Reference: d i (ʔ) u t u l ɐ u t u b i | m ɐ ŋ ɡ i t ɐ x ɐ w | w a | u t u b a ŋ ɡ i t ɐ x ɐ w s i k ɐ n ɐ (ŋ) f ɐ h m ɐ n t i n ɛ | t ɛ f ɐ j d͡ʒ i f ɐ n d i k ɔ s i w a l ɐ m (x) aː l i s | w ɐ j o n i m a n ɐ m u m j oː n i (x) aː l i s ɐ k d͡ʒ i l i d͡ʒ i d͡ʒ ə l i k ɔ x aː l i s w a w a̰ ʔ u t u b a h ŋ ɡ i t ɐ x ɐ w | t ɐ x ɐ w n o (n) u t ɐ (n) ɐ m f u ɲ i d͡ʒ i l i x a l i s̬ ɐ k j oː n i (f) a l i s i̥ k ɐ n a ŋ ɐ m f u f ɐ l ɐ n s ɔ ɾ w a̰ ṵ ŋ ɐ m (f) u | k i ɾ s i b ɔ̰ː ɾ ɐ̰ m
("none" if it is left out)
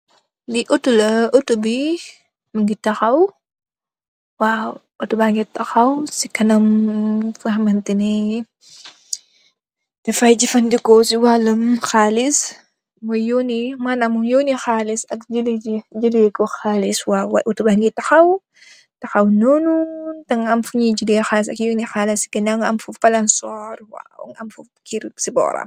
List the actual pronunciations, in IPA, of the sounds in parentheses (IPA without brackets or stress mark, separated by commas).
ʔ, m, x, x, n, ŋ, x, f